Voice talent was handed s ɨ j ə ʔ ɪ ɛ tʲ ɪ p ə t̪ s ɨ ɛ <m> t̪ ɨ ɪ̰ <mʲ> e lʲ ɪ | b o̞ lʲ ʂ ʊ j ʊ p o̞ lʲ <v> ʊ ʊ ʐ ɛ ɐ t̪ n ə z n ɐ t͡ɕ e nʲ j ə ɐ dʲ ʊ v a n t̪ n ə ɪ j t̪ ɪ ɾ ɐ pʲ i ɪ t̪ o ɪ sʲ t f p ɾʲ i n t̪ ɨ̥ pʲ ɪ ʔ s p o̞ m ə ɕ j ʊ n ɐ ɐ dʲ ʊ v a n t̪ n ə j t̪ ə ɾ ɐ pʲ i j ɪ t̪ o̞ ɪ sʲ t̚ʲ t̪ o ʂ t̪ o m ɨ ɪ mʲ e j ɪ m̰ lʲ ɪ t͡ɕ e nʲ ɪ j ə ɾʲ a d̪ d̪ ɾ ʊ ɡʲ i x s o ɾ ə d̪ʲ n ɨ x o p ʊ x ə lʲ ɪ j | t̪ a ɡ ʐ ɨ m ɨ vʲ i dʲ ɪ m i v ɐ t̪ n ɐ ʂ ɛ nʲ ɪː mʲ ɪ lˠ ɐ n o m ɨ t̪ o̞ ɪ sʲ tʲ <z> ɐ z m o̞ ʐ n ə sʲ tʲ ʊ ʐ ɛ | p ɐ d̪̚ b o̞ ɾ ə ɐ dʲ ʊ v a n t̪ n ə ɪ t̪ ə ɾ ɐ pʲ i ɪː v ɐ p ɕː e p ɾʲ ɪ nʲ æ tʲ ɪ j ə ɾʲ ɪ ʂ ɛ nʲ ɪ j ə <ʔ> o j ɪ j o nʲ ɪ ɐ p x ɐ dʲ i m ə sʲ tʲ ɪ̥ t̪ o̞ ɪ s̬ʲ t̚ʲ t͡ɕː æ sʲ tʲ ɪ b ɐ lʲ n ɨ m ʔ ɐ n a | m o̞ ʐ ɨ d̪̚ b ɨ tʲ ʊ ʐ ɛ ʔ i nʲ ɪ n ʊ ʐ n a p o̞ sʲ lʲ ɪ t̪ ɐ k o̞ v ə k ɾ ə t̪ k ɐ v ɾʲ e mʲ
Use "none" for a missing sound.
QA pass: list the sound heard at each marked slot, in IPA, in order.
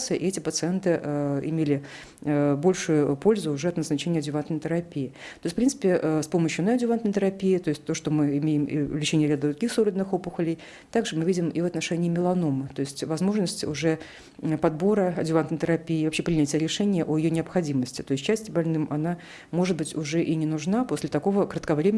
n, mʲ, z, v, ʔ

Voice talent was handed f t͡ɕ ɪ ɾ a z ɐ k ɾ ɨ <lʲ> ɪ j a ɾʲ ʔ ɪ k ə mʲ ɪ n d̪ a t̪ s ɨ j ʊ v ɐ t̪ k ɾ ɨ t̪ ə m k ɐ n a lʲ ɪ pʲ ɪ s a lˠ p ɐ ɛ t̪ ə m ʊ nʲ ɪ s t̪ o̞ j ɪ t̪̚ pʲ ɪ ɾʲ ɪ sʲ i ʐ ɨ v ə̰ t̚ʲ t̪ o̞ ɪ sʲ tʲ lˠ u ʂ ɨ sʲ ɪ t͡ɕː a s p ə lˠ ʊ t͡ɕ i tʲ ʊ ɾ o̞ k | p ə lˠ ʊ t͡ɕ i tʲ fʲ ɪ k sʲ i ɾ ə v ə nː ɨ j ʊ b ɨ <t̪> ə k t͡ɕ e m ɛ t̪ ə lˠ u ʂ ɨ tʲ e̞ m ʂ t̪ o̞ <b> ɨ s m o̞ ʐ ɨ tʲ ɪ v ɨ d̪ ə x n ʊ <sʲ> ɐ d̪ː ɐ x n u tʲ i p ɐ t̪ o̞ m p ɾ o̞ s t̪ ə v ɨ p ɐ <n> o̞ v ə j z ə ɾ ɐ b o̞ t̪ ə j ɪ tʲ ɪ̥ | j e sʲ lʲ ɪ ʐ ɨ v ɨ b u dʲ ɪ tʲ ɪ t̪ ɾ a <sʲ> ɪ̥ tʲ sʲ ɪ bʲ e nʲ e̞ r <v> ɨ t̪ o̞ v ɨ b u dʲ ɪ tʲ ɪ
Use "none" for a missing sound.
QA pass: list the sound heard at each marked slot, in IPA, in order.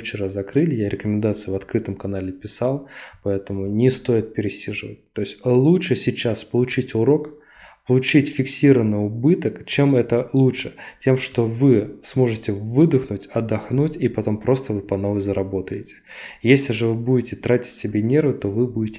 lʲ, t̪, v, tʲ, n, tʲ, v

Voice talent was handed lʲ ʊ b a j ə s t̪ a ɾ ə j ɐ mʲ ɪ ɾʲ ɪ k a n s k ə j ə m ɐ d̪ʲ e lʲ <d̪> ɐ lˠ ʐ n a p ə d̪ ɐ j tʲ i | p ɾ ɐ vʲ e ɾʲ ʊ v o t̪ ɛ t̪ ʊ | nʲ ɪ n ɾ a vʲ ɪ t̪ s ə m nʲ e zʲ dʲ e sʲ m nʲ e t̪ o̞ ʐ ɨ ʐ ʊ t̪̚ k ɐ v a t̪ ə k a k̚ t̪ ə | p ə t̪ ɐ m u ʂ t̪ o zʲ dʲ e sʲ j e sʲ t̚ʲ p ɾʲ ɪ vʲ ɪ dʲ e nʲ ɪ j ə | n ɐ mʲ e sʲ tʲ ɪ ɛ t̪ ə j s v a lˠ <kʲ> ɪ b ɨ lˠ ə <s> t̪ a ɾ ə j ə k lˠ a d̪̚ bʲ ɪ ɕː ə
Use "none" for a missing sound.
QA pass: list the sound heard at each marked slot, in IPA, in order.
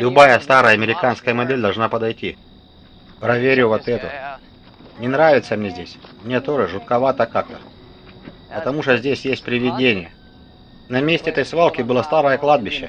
d̪, kʲ, s

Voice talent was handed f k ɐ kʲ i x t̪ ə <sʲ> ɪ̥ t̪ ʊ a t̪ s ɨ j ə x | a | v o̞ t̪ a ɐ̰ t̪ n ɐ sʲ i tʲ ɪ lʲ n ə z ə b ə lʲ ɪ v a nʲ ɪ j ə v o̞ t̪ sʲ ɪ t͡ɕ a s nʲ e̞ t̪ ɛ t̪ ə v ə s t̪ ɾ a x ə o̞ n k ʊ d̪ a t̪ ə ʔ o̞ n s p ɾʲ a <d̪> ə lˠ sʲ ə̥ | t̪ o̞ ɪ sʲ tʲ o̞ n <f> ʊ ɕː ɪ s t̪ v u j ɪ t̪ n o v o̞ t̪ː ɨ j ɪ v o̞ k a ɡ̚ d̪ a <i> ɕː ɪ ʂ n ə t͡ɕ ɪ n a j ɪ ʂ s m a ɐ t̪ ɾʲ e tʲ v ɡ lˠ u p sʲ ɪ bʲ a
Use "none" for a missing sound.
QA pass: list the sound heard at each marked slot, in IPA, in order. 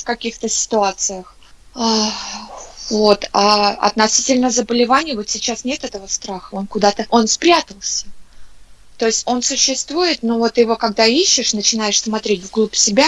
sʲ, t̪, s, i

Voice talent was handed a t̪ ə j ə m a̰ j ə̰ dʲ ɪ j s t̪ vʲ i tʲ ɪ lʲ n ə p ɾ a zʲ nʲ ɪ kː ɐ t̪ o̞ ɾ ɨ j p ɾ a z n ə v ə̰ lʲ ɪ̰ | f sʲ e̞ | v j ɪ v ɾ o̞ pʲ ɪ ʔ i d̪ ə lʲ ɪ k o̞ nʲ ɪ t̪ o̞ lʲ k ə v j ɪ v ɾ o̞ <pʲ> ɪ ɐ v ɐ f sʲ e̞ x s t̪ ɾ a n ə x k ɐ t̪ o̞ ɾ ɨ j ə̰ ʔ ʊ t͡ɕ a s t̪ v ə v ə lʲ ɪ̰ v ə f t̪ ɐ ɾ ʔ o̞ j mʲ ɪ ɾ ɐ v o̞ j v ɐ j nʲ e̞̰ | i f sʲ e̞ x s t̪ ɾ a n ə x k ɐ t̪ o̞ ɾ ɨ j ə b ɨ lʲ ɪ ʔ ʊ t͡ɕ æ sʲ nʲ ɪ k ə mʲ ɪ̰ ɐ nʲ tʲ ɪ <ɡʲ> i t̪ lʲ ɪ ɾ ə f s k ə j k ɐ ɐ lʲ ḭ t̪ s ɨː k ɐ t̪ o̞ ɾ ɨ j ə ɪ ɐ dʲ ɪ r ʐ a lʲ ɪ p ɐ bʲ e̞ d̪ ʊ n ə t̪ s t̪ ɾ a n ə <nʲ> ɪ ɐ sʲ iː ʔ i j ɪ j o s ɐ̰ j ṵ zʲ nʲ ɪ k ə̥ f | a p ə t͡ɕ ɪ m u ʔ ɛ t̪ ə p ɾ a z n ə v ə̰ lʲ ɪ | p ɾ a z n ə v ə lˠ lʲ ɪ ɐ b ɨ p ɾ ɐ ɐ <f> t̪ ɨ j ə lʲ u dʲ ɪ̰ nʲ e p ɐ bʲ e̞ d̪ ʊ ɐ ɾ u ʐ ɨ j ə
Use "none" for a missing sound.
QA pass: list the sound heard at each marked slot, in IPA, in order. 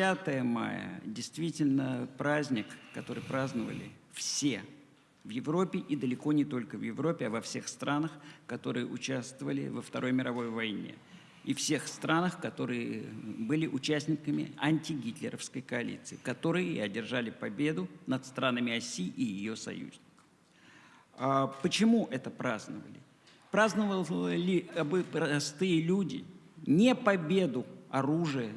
pʲ, ɡʲ, mʲ, s

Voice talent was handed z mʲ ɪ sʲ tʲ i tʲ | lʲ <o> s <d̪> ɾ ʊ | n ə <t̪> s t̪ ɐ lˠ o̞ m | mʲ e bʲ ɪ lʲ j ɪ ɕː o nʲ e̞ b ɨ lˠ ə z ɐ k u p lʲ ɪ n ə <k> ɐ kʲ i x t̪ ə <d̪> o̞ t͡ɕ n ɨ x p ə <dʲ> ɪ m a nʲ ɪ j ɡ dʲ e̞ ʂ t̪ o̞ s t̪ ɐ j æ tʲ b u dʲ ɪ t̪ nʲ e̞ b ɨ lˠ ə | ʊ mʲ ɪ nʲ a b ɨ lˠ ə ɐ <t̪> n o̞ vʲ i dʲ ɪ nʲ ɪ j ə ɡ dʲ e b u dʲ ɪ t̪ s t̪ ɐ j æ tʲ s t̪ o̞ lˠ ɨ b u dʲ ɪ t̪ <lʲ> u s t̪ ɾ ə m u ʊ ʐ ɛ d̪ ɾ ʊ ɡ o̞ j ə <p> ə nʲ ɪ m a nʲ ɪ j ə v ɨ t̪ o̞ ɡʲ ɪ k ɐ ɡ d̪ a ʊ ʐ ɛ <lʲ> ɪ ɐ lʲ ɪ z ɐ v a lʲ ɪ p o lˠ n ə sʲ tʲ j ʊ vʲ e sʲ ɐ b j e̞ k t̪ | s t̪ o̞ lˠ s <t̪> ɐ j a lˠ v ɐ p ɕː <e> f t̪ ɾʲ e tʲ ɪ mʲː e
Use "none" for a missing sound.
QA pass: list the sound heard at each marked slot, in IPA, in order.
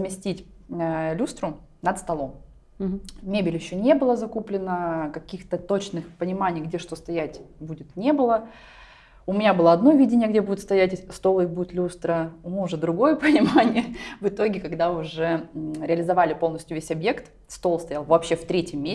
u, t̪, t̪, k, t̪, nʲ, d̪, lʲ, p, ɾʲ, t̪, e

